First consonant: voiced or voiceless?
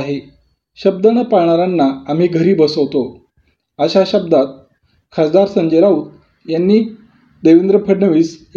voiced